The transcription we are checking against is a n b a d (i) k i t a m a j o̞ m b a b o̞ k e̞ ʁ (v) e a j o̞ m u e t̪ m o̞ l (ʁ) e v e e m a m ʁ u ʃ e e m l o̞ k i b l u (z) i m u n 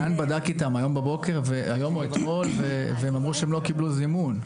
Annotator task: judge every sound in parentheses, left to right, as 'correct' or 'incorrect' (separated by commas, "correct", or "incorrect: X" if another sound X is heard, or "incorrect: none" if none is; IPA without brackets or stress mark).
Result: incorrect: a, correct, incorrect: v, correct